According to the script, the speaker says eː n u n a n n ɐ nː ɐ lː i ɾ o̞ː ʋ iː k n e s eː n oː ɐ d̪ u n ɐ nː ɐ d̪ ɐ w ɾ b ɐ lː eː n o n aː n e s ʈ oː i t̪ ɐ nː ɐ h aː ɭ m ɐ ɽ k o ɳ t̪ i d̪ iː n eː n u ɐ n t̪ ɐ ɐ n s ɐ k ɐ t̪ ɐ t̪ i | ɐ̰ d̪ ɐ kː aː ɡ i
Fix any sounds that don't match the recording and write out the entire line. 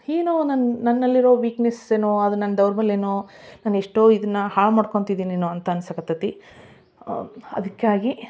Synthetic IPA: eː n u n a n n ɐ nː ɐ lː i ɾ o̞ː ʋ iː k n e s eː n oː ɐ d̪ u n ɐ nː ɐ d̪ ɐ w ɾ b ɐ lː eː n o n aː n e ʂ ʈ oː i d̪ ɐ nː ɐ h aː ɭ m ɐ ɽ k o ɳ t̪ i d̪ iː n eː n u ɐ n t̪ ɐ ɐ n s ɐ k ɐ t̪ ɐ t̪ i | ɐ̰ d̪ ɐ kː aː ɡ i

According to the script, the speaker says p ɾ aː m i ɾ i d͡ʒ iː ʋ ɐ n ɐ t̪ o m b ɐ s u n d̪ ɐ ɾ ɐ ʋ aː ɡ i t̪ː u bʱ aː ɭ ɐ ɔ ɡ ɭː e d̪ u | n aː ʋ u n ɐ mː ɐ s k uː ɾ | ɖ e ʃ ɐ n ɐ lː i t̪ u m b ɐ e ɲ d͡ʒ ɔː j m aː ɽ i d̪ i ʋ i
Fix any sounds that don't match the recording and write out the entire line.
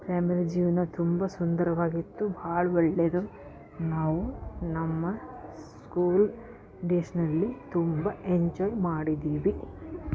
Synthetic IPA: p ɾ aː m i ɾ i d͡ʒ iː ʋ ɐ n ɐ t̪ u m b ɐ s u n d̪ ɐ ɾ ɐ ʋ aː ɡ i t̪ː u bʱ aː ɭ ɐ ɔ ɭː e d̪ u | n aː ʋ u n ɐ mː ɐ s k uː l | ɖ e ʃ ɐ n ɐ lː i t̪ u m b ɐ e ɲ d͡ʒ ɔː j m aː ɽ i d̪ iː ʋ i

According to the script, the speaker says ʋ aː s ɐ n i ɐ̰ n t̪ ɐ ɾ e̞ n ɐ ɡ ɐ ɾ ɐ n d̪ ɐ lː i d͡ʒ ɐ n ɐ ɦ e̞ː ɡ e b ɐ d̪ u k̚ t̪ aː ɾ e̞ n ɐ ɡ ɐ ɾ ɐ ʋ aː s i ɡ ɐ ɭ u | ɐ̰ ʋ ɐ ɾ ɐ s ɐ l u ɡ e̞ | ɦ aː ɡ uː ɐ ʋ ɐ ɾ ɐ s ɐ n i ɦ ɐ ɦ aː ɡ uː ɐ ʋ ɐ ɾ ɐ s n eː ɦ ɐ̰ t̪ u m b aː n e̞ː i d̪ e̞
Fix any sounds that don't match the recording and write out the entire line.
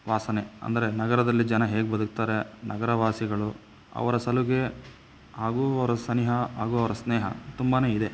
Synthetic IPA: ʋ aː s ɐ n e ɐ̰ n d̪ ɐ ɾ e̞ n ɐ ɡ ɐ ɾ ɐ d̪ ɐ lː i d͡ʒ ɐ n ɐ ɦ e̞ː ɡ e b ɐ d̪ u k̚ t̪ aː ɾ e̞ n ɐ ɡ ɐ ɾ ɐ ʋ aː s i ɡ ɐ ɭ u | ɐ̰ ʋ ɐ ɾ ɐ s ɐ l u ɡ e̞ | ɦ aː ɡ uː ɐ ʋ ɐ ɾ ɐ s ɐ n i ɦ ɐ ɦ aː ɡ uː ɐ ʋ ɐ ɾ ɐ s n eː ɦ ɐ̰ t̪ u m b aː n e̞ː i d̪ e̞

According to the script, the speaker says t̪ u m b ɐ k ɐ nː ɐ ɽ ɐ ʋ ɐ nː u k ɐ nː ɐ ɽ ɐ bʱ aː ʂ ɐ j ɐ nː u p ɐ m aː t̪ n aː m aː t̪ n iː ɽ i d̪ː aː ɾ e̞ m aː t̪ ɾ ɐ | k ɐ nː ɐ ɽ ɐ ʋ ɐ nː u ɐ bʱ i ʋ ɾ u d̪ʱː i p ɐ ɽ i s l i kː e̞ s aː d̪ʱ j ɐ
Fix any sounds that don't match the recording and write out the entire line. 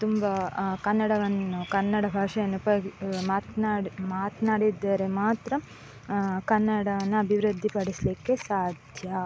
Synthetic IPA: t̪ u m b ɐ k ɐ nː ɐ ɽ ɐ ʋ ɐ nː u k ɐ nː ɐ ɽ ɐ bʱ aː ʂ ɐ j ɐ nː u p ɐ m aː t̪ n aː m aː t̪ n aː ɽ i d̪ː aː ɾ e̞ m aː t̪ ɾ ɐ | k ɐ nː ɐ ɽ ɐ ʋ ɐ nː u ɐ bʱ i ʋ ɾ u d̪ʱː i p ɐ ɽ i s l i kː e̞ s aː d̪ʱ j ɐ

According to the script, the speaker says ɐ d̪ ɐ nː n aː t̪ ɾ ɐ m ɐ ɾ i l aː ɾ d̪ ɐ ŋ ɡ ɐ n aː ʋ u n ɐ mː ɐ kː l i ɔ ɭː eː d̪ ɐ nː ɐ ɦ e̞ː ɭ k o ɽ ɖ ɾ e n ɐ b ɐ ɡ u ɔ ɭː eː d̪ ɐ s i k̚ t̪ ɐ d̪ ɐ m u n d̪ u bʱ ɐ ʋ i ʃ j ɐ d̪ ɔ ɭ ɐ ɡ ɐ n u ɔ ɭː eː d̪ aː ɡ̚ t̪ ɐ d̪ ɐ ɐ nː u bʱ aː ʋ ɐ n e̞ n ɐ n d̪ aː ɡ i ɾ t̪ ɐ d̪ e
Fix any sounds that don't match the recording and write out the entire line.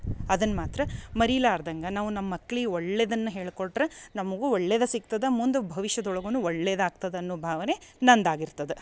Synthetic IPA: ɐ d̪ ɐ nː m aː t̪ ɾ ɐ m ɐ ɾ i l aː ɾ d̪ ɐ ŋ ɡ ɐ n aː ʋ u n ɐ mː ɐ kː ɭ i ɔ ɭː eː d̪ ɐ nː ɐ ɦ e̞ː ɭ k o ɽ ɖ ɾ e n ɐ m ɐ ɡ u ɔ ɭː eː d̪ ɐ s i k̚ t̪ ɐ d̪ ɐ m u n d̪ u bʱ ɐ ʋ i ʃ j ɐ d̪ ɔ ɭ ɐ ɡ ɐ n u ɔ ɭː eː d̪ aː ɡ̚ t̪ ɐ d̪ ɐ ɐ nː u bʱ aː ʋ ɐ n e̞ n ɐ n d̪ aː ɡ i ɾ t̪ ɐ d̪ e

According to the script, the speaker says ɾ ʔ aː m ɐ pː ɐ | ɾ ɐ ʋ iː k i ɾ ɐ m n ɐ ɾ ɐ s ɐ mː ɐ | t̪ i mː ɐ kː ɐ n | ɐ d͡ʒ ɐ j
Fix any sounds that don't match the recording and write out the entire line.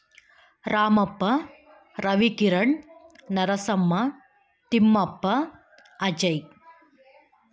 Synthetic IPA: ɾ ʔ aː m ɐ pː ɐ | ɾ ɐ ʋ i k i ɾ ɐ ɳ n ɐ ɾ ɐ s ɐ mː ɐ | t̪ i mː ɐ pː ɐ | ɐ d͡ʒ ɐ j

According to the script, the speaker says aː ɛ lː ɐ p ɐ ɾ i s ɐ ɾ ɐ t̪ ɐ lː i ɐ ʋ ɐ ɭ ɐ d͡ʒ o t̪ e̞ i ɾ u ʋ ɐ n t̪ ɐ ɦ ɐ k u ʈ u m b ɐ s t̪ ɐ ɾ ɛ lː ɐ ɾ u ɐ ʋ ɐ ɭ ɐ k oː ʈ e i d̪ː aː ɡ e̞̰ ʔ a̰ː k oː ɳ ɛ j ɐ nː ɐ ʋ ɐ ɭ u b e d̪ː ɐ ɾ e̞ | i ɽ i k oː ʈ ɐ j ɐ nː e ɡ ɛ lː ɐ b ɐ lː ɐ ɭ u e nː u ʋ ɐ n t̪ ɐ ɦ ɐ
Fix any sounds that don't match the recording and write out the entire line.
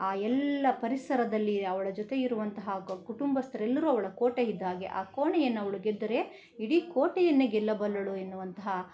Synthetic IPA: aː ɛ lː ɐ p ɐ ɾ i s ɐ ɾ ɐ d̪ ɐ lː i ɐ ʋ ɐ ɭ ɐ d͡ʒ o t̪ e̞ i ɾ u ʋ ɐ n t̪ ɐ ɦ ɐ k u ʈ u m b ɐ s t̪ ɐ ɾ ɛ lː ɐ ɾ u ɐ ʋ ɐ ɭ ɐ k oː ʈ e i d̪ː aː ɡ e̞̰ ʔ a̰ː k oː ɳ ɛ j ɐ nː ɐ ʋ ɐ ɭ u ɡ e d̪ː ɐ ɾ e̞ | i ɽ i k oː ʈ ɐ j ɐ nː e ɡ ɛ lː ɐ b ɐ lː ɐ ɭ u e nː u ʋ ɐ n t̪ ɐ ɦ ɐ

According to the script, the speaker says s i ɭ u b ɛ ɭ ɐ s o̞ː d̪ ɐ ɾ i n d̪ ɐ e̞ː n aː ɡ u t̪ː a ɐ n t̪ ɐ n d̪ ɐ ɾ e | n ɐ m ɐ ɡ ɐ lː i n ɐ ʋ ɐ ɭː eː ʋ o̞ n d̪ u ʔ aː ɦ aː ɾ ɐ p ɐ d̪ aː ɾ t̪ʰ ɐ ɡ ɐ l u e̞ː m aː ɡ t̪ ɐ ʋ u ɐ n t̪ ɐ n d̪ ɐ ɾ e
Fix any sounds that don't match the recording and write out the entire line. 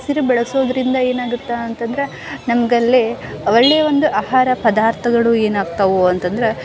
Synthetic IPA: s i ɾ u b ɛ ɭ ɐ s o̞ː d̪ ɐ ɾ i n d̪ ɐ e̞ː n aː ɡ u t̪ː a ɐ n t̪ ɐ n d̪ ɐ ɾ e | n ɐ m ɐ ɡ ɐ lː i ɐ ʋ ɐ ɭː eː ʋ o̞ n d̪ u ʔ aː ɦ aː ɾ ɐ p ɐ d̪ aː ɾ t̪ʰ ɐ ɡ ɐ ɭ u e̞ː n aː ɡ t̪ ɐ ʋ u ɐ n t̪ ɐ n d̪ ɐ ɾ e

